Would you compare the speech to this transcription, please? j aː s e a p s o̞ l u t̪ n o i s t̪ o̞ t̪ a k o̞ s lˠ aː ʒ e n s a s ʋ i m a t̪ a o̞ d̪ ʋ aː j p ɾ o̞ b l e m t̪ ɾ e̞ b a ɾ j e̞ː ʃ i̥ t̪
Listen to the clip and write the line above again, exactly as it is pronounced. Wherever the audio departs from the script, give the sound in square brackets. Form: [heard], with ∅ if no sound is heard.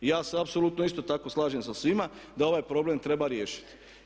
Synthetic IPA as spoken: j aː s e a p s o̞ l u t̪ n o i s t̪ o̞ t̪ a k o̞ s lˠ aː ʒ e [m] s a s ʋ i m a [d̪] a o̞ [∅] ʋ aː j p ɾ o̞ b l e m t̪ ɾ e̞ b a ɾ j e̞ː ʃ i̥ t̪